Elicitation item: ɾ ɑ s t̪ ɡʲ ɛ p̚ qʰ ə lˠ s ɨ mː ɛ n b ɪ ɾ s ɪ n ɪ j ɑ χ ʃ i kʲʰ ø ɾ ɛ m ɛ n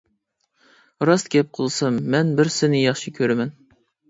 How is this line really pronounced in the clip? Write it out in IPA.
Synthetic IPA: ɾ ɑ s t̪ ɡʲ ɛ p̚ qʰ ə lˠ s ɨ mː ɛ n b ɪ ɾ s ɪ n ɪ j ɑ χ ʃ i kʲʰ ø ɾ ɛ m ɛ n